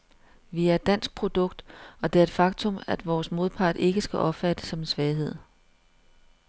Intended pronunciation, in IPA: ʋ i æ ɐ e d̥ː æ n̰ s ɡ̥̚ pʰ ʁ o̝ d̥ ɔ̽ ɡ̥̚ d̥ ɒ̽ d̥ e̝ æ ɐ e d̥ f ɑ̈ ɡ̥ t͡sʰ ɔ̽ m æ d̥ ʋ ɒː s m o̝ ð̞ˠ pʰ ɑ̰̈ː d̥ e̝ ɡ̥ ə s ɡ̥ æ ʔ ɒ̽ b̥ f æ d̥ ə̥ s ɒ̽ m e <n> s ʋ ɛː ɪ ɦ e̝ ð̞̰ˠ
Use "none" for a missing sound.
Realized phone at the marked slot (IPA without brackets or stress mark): n